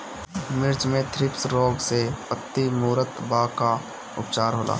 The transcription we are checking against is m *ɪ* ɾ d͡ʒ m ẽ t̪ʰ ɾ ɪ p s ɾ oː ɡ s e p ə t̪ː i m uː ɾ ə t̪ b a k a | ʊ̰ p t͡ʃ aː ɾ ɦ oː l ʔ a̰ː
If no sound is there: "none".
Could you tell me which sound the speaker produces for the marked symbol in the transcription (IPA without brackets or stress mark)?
ɪ